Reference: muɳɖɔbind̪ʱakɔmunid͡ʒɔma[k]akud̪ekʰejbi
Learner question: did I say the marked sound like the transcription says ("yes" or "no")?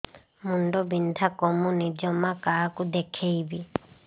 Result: yes